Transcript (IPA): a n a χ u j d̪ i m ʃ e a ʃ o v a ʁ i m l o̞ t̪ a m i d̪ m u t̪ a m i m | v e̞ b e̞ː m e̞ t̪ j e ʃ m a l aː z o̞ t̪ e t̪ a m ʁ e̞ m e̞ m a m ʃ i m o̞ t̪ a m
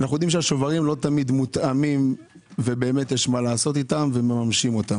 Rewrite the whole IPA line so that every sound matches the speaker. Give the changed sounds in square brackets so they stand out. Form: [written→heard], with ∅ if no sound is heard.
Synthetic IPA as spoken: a n a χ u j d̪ i m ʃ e a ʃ o v a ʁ i m l o̞ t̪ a m i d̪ m u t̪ a m i m | v e̞ b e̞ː m e̞ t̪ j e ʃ m a l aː [z→s] o̞ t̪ [e→i] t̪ a m [ʁ→v] e̞ m e̞ m a m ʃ i m o̞ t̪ a m